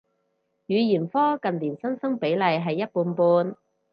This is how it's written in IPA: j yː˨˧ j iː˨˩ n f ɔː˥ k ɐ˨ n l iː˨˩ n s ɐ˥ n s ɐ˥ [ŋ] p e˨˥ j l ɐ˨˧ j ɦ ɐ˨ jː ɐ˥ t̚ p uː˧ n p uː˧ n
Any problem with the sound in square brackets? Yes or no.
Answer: no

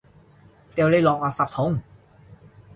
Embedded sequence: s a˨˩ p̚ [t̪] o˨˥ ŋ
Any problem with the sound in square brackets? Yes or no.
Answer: yes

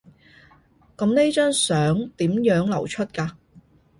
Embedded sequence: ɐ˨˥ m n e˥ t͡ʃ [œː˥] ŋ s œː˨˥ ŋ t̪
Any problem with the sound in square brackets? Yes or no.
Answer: no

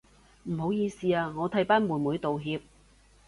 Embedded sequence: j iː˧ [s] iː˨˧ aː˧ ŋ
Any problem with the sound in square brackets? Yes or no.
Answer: no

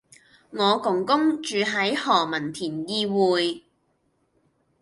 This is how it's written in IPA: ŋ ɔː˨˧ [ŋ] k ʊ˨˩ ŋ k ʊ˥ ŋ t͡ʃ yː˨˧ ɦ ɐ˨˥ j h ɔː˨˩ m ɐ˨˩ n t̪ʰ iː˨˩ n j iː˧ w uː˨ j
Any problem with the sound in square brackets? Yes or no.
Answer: yes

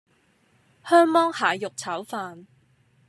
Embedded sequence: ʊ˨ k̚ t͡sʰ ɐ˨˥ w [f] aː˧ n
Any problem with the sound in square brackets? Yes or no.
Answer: no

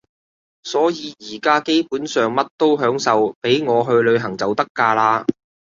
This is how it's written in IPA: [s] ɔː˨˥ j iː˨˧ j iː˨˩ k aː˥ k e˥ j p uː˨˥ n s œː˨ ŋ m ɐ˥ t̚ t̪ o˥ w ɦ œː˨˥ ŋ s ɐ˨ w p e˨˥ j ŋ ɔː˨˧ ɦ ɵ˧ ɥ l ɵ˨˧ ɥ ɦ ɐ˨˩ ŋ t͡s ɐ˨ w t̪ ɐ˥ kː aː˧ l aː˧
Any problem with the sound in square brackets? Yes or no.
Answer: no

